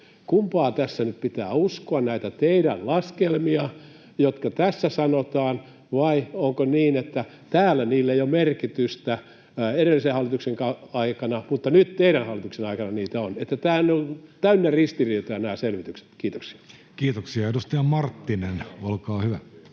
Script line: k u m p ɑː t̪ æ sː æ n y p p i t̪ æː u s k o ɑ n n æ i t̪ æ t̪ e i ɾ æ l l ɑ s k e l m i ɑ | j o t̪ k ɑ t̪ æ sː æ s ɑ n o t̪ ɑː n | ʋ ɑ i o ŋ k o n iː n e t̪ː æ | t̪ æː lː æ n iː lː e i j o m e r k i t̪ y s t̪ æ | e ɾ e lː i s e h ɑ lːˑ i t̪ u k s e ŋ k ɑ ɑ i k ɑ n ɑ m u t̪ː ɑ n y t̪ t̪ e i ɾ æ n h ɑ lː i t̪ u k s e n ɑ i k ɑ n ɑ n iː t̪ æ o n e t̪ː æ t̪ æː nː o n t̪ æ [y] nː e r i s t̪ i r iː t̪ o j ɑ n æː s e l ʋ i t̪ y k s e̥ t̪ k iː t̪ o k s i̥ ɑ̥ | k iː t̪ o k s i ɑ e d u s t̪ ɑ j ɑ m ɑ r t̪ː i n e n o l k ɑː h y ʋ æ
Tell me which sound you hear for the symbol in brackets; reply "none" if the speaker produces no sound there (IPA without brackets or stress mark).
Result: y